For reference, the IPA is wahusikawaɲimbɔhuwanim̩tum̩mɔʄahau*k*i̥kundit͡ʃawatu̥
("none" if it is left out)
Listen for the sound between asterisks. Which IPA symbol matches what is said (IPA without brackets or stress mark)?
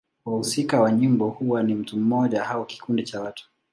k